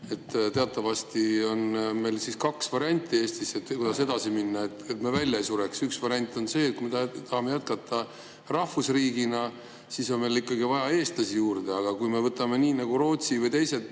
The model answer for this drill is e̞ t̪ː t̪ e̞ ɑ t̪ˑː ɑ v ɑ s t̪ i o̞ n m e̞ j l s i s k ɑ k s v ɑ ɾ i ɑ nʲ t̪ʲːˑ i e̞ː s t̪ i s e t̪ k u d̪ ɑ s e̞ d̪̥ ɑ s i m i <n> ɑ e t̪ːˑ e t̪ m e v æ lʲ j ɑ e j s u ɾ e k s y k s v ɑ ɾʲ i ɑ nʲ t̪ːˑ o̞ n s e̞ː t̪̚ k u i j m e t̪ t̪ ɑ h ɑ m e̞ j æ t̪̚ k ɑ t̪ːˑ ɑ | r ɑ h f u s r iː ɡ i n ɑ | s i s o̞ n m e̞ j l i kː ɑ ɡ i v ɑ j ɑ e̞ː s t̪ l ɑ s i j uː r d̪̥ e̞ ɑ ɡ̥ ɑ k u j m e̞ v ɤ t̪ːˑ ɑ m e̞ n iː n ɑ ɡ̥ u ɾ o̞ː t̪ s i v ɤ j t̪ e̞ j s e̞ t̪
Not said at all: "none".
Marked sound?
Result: nː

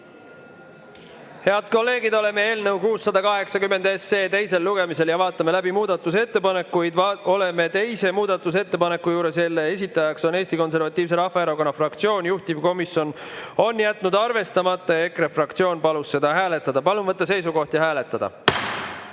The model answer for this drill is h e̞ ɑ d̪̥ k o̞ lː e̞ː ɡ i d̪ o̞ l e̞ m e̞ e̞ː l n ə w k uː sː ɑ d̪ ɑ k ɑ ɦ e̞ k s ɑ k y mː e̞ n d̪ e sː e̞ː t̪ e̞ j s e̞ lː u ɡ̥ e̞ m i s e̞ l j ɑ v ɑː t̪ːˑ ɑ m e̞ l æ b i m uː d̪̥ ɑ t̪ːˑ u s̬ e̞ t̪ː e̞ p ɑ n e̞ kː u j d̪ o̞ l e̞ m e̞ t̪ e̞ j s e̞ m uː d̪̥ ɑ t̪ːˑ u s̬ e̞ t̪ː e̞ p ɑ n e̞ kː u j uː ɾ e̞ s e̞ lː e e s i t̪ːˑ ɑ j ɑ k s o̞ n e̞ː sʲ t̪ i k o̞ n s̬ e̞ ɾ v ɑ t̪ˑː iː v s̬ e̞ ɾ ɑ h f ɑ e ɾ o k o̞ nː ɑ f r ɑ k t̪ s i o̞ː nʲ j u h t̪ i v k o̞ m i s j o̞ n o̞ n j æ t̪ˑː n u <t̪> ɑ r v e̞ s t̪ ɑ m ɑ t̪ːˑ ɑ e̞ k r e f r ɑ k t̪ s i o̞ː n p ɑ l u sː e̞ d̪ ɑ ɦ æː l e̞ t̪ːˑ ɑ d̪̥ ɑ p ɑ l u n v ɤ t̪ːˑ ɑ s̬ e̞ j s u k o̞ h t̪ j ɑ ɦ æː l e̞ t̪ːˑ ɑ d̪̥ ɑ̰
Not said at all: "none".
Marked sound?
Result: d̪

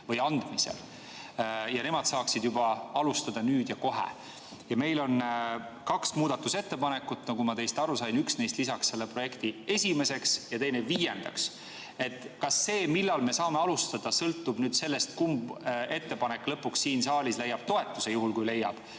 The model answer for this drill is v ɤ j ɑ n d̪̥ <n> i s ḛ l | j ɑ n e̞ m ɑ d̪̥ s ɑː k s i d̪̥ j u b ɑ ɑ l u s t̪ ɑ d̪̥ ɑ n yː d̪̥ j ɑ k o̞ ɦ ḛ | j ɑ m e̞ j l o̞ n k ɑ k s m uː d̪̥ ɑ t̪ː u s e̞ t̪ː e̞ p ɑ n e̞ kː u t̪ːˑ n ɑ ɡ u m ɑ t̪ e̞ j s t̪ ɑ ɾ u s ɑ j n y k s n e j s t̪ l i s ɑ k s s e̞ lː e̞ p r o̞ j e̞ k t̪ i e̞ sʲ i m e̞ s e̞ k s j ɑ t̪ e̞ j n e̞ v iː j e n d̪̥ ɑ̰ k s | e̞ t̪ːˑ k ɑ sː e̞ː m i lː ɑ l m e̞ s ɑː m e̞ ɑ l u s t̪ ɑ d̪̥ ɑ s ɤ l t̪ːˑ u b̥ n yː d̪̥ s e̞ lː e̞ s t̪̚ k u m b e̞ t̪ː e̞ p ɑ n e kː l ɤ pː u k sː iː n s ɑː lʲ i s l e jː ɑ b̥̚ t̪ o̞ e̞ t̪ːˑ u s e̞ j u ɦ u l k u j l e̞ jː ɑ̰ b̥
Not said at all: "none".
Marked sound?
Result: m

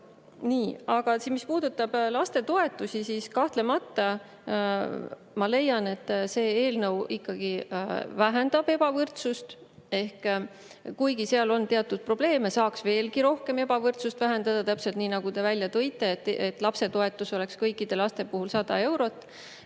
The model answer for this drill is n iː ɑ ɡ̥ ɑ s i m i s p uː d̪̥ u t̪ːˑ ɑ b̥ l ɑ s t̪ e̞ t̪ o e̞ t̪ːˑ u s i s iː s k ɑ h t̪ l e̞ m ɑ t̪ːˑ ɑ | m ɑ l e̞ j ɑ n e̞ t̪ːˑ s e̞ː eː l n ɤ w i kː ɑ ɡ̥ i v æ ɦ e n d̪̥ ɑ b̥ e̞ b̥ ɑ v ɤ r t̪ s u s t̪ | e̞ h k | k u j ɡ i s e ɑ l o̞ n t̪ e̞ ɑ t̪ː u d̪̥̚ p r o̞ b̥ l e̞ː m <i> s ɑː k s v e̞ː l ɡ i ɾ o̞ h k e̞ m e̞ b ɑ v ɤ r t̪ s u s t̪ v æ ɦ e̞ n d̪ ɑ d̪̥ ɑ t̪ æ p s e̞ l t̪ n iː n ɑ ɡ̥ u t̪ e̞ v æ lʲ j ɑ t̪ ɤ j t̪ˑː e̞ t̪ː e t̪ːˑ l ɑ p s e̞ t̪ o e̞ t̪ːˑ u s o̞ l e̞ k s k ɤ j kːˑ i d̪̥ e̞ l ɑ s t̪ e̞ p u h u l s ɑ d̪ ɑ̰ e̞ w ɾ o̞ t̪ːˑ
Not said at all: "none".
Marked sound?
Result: e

